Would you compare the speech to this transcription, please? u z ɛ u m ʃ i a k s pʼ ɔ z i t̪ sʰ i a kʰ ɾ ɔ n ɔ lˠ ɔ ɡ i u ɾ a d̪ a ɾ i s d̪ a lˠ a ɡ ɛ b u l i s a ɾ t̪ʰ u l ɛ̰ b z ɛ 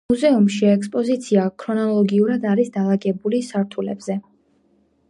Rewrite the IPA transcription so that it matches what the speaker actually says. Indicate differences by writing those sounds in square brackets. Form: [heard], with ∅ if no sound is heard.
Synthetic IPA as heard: u z ɛ u m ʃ i [ɛ] k s pʼ ɔ z i t̪ sʰ i a kʰ ɾ ɔ n ɔ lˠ ɔ ɡ i u ɾ a d̪ a ɾ i s d̪ a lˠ a ɡ ɛ b u l i s a ɾ t̪ʰ u l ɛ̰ b z ɛ

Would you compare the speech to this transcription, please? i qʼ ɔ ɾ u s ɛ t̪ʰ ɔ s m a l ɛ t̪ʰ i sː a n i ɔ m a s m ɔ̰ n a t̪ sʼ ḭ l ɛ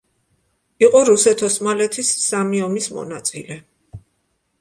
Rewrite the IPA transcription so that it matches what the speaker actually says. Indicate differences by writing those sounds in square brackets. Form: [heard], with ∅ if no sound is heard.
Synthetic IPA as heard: i qʼ ɔ ɾ u s ɛ t̪ʰ ɔ s m a l ɛ t̪ʰ i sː a [m] i ɔ m [i] s m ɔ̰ n a t̪ sʼ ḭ l ɛ

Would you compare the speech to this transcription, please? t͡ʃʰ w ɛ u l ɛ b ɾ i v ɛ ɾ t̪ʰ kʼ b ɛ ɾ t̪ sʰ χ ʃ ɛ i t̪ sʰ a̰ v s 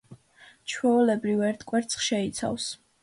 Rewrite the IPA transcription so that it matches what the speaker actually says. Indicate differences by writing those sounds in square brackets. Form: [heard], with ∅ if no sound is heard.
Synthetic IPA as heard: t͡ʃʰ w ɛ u l ɛ b ɾ i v ɛ ɾ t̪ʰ kʼ [w] ɛ ɾ t̪ sʰ χ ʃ ɛ i t̪ sʰ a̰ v s

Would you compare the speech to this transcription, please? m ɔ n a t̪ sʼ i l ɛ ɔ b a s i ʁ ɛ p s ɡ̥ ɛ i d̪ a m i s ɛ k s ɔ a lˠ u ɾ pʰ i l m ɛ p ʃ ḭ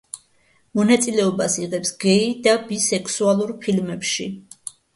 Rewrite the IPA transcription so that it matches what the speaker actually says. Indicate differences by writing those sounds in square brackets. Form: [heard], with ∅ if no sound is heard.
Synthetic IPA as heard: m ɔ n a t̪ sʼ i l ɛ ɔ b a s i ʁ ɛ p s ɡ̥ ɛ i d̪ a [b] i s ɛ k s [u] a lˠ u ɾ pʰ i l m ɛ p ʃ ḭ

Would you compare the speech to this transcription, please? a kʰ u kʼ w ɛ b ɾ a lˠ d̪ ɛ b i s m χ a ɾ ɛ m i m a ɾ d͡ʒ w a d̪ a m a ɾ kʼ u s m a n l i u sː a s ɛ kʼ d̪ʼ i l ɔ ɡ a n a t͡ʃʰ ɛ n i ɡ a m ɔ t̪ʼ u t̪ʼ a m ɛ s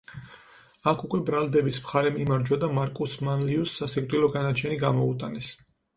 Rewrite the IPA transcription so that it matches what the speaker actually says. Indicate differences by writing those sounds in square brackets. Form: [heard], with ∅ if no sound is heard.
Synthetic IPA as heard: a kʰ u kʼ w ɛ b ɾ a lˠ d̪ ɛ b i s m χ a ɾ ɛ m i m a ɾ d͡ʒ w a d̪ a m a ɾ kʼ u s m a n l i u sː a s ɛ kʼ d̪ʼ i l ɔ ɡ a n a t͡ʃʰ ɛ n i ɡ a m ɔ [∅] u t̪ʼ a [n] ɛ s

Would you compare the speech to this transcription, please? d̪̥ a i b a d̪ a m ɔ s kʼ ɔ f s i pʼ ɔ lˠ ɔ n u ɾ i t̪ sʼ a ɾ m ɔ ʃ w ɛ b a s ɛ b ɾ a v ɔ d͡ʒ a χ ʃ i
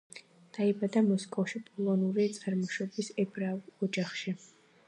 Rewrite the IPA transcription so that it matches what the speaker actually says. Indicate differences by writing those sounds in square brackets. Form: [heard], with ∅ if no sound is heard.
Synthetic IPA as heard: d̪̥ a i b a d̪ a m ɔ s kʼ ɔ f [ʃ] i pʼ ɔ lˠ ɔ n u ɾ i t̪ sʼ a ɾ m ɔ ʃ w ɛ b [i] s ɛ b ɾ a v ɔ d͡ʒ a χ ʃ i

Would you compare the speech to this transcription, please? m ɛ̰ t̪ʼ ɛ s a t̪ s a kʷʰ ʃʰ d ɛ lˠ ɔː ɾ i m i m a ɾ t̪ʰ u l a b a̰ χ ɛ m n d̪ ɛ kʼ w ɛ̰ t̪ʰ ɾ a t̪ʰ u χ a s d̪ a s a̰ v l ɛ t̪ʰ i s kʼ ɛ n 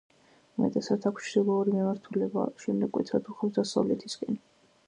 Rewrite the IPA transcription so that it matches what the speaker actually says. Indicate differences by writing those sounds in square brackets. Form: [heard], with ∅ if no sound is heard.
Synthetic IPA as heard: m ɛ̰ t̪ʼ ɛ s a t̪ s a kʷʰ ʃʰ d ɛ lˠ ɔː ɾ i m i m a ɾ t̪ʰ u l [ɛ] b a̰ [ʃ] ɛ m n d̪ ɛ kʼ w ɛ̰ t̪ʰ ɾ a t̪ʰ u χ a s d̪ a s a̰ v l ɛ t̪ʰ i s kʼ ɛ n

